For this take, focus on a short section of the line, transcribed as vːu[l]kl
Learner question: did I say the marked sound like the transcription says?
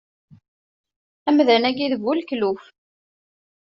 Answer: yes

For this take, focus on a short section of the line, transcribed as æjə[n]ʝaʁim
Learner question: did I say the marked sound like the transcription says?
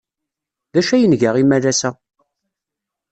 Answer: yes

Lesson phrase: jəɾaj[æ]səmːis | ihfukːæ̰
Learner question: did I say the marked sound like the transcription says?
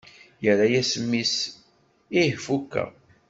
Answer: yes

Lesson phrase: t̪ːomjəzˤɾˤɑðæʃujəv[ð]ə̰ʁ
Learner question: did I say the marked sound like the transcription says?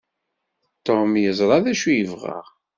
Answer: no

